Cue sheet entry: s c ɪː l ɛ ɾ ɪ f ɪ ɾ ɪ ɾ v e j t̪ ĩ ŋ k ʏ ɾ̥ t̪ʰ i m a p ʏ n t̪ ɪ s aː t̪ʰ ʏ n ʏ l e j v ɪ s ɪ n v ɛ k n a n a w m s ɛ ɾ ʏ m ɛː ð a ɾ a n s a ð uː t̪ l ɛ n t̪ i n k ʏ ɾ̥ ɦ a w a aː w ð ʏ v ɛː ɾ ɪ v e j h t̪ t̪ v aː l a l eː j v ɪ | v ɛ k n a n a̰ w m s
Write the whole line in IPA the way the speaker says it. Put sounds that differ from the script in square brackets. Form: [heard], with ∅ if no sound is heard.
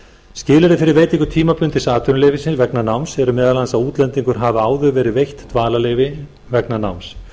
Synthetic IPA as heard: s c ɪː l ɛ ɾ ɪ f ɪ ɾ ɪ ɾ v e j t̪ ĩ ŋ k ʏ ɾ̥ t̪ʰ [iː] m a p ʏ n t̪ ɪ s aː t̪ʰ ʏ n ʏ l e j v ɪ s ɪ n v ɛ k n a n a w m s ɛ ɾ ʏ m ɛː ð a [l] a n s a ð uː t̪ l ɛ n t̪ i [ŋ] k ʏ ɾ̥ ɦ a [v] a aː w ð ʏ v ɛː ɾ ɪ v e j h t̪ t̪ v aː l a l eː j v ɪ | v ɛ k n a n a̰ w m s